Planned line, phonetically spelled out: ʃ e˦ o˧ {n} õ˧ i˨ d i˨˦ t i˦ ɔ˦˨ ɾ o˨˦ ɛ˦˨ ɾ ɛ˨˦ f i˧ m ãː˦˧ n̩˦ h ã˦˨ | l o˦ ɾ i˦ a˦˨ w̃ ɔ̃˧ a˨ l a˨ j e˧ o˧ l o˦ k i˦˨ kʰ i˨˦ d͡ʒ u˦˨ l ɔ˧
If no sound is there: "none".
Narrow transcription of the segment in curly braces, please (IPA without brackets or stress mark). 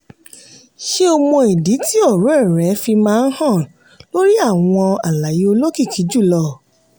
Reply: m